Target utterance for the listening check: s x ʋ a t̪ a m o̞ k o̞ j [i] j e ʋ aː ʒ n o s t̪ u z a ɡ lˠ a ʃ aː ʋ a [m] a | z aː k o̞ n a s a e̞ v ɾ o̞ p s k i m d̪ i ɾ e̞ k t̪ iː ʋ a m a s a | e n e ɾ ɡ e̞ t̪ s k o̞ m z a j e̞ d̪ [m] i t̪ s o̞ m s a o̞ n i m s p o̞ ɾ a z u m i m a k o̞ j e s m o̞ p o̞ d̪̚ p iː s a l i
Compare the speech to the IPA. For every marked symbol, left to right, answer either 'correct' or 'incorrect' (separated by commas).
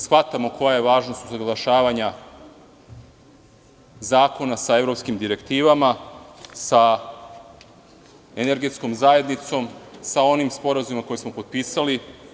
incorrect, incorrect, incorrect